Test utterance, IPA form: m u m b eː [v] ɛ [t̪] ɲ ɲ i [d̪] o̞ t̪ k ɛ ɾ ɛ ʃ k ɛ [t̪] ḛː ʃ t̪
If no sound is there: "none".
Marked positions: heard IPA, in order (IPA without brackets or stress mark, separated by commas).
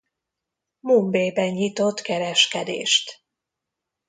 b, none, t̪, d̪